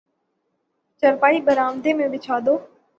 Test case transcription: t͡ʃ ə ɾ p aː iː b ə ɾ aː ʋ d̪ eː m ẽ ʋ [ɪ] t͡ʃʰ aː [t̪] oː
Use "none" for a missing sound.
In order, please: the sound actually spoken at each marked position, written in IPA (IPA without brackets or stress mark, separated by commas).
ɪ, d̪